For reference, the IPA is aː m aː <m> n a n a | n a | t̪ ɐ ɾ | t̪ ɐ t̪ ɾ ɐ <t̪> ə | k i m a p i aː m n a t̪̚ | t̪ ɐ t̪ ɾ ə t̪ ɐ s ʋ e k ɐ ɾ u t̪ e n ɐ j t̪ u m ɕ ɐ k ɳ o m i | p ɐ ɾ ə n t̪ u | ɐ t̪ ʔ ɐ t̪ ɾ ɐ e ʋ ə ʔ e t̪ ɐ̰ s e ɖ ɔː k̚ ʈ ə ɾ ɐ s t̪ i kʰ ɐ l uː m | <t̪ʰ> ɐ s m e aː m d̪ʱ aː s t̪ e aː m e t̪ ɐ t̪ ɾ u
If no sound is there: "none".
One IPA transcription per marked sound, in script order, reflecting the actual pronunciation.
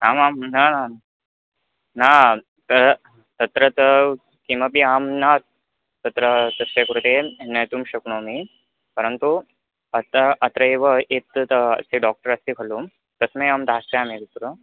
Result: m, t̪, t̪

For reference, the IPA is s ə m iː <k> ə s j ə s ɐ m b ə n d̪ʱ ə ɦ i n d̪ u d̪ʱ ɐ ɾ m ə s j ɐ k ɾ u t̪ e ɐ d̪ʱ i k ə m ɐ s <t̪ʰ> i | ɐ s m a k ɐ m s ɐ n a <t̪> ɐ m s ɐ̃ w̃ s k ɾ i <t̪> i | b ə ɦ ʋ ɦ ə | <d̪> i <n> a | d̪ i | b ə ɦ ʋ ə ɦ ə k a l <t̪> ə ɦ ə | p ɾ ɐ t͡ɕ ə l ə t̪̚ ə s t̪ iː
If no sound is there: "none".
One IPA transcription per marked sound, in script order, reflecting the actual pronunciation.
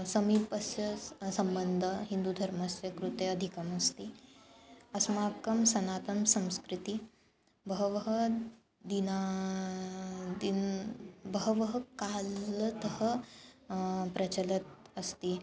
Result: p, t̪, t̪, t̪, d̪, n, t̪

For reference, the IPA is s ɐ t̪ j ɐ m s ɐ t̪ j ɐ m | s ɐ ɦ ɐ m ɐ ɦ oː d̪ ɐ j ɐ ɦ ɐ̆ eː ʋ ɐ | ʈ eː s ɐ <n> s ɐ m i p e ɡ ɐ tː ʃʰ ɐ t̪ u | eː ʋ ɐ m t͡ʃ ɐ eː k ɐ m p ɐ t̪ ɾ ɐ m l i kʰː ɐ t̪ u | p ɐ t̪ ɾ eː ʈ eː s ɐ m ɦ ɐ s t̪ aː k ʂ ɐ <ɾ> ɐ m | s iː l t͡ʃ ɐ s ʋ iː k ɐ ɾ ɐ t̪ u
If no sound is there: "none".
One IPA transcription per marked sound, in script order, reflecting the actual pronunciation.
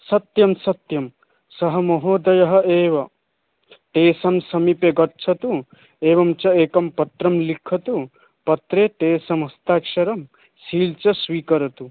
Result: m, ɾ

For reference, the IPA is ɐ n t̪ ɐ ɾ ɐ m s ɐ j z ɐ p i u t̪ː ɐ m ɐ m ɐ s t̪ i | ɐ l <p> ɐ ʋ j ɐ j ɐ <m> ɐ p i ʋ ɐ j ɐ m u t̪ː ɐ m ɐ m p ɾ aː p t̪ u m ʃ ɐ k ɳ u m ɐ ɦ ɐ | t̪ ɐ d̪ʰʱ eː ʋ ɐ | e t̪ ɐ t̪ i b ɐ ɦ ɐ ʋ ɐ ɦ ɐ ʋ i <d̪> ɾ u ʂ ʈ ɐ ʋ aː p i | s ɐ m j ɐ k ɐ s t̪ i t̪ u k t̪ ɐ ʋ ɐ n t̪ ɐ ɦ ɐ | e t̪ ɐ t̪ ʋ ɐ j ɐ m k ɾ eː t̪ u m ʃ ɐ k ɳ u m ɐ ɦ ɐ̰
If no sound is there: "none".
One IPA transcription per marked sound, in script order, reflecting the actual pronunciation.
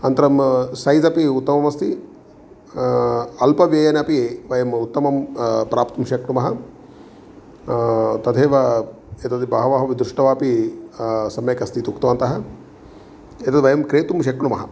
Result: p, n, d̪

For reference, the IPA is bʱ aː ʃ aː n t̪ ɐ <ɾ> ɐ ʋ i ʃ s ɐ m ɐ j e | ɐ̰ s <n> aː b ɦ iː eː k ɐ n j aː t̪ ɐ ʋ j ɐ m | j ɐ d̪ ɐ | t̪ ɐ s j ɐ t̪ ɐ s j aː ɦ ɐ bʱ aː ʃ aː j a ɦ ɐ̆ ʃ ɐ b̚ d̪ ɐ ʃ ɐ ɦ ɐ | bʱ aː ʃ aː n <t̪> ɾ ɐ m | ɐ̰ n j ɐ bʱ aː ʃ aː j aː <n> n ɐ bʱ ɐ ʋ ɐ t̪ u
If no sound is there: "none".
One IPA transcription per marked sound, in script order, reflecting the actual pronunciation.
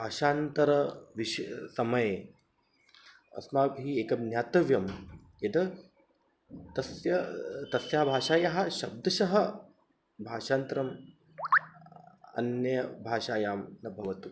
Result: ɾ, m, t̪, m

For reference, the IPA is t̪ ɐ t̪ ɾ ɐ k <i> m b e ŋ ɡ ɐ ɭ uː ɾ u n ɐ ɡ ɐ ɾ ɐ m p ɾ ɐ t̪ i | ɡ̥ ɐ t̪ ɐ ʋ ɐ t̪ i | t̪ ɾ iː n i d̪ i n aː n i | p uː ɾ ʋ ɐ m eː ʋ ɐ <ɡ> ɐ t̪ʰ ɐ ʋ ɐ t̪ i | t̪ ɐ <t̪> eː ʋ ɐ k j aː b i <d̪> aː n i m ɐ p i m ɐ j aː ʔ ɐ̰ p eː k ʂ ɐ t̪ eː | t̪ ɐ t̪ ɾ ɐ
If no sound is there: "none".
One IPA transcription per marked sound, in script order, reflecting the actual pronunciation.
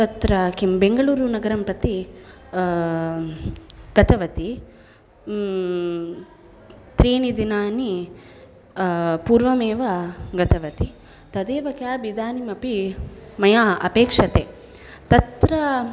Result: i, ɡ, d̪, d̪

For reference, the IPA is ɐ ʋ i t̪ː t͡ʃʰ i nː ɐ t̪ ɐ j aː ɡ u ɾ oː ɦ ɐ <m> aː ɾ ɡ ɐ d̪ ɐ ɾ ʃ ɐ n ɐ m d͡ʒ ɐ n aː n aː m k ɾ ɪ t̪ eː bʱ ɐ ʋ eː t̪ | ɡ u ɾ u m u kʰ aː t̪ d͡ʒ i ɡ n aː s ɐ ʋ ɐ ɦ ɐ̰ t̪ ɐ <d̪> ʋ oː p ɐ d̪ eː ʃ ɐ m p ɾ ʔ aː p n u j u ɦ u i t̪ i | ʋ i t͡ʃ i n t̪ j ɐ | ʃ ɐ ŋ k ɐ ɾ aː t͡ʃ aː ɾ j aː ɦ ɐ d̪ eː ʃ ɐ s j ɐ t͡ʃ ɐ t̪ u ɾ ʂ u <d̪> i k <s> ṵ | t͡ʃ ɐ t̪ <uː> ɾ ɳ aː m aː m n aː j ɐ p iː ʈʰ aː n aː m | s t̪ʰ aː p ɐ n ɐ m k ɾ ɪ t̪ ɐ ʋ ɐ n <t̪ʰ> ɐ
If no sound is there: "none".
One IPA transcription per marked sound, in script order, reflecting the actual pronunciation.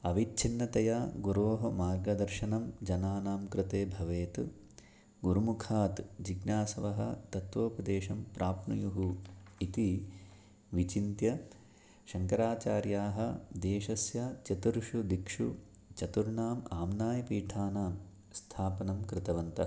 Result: m, t̪, d̪, ʂ, u, t̪

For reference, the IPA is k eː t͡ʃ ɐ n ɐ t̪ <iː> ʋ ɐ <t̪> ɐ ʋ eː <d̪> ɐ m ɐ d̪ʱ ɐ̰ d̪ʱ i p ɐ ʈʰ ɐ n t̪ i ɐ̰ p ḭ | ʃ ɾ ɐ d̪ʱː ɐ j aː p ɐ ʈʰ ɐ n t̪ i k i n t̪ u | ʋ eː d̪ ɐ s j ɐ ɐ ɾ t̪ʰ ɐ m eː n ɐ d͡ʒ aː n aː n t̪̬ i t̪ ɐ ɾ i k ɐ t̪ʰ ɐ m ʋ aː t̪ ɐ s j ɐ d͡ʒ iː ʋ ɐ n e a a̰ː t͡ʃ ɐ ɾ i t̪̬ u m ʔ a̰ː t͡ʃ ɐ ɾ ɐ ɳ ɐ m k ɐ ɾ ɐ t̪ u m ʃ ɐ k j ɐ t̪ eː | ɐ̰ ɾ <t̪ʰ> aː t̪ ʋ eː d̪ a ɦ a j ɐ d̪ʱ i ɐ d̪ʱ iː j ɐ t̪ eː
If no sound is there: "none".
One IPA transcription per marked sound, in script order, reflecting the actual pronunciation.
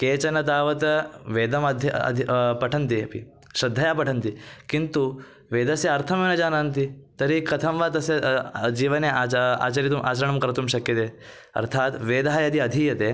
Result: aː, t̪, d̪, t̪ʰ

